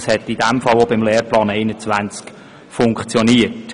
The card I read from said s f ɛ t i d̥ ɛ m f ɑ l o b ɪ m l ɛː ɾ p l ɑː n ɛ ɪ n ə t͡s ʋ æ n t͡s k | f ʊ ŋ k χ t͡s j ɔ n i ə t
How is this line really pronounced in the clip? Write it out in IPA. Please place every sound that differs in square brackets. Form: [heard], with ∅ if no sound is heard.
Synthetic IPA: s [h] ɛ t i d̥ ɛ m f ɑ l o b ɪ m l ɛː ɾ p l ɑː n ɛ ɪ n ə t͡s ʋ æ n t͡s k | f ʊ ŋ k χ t͡s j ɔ n i ə t